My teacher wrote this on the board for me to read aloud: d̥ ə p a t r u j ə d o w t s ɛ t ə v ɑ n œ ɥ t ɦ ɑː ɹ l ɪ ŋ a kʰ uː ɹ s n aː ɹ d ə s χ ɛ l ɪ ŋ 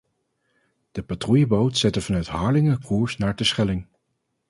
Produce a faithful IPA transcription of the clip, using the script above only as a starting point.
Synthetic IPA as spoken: d̥ ə p a t r u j ə b o w t s ɛ t ə v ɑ n œ ɥ t ɦ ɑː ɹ l ɪ ŋ ə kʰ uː ɹ s n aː ɹ d ə s χ ɛ l ɪ ŋ